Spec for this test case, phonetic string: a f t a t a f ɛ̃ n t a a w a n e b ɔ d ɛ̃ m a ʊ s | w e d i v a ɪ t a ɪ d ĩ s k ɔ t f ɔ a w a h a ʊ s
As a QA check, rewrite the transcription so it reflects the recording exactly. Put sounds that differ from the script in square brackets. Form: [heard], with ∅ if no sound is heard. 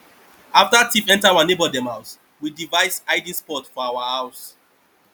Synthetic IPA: a f t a t [i] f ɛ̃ n t a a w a n e b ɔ d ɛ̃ m a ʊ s | w [i] d i v a ɪ [s] a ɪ d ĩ s [p] ɔ t f ɔ a w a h a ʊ s